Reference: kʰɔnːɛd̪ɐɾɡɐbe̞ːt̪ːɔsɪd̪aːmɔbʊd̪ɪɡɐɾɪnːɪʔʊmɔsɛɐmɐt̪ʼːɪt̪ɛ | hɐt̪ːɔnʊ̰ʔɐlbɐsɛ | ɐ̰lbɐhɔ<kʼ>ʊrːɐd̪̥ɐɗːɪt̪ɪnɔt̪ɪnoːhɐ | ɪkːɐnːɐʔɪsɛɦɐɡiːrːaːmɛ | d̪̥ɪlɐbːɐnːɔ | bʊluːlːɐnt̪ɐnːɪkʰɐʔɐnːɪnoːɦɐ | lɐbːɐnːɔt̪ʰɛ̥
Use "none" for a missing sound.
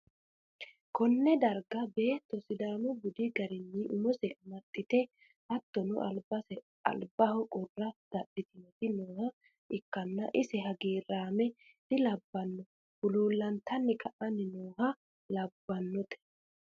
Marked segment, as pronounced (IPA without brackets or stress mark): kʼ